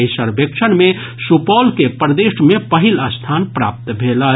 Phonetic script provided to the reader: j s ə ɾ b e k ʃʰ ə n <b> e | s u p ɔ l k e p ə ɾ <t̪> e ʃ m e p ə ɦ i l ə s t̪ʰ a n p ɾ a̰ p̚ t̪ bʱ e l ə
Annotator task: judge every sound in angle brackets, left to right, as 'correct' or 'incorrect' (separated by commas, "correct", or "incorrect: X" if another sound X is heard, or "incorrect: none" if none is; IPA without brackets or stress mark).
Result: incorrect: m, incorrect: d̪